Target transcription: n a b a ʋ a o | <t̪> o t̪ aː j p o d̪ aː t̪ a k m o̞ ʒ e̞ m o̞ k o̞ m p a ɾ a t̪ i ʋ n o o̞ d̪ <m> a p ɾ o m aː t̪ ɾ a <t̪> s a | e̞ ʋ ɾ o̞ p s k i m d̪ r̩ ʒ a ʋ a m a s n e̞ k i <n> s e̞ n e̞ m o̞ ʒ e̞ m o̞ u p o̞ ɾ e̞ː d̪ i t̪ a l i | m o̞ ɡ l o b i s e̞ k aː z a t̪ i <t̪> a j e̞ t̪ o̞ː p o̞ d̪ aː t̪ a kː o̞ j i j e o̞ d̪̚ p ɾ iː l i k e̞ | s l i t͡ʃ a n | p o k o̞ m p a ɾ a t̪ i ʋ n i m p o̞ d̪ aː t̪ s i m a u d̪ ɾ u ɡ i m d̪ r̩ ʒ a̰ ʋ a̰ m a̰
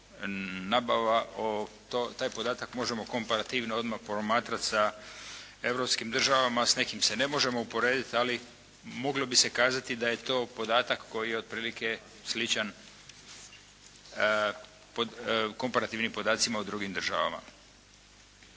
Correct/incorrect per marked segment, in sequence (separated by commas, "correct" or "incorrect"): correct, correct, correct, incorrect, incorrect